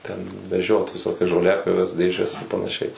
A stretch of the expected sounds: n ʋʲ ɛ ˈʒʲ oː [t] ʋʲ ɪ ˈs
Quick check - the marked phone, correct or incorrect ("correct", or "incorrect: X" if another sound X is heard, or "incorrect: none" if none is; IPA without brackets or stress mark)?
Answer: correct